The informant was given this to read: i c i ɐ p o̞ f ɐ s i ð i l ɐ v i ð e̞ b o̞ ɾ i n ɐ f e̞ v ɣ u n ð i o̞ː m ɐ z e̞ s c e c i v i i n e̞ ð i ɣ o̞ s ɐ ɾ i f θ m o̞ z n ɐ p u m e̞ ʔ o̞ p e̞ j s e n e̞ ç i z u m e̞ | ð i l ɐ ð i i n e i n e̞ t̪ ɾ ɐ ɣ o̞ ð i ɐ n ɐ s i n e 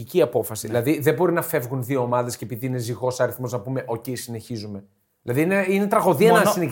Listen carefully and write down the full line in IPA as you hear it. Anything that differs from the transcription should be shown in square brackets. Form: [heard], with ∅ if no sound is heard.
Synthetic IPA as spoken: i c i ɐ p o̞ f ɐ s i ð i l ɐ [ð] i ð e̞ b o̞ ɾ i n ɐ f e̞ v ɣ u n ð i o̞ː m ɐ [ð] e̞ s c e [p] i [ð] i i n e̞ [z] i ɣ o̞ s ɐ ɾ i [∅] θ m o̞ z n ɐ p u m e̞ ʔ o̞ [c] e̞ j s [i] n e̞ ç i z u m e̞ | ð i l ɐ ð i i n e i n e̞ t̪ ɾ ɐ ɣ o̞ ð i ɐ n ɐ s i n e